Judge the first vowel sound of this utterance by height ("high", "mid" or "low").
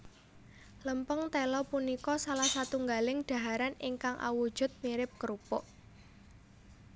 mid